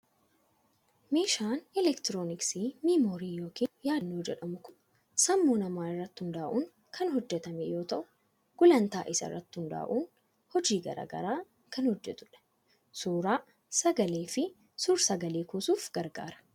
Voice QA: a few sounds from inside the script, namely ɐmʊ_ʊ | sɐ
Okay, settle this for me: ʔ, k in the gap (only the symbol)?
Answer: k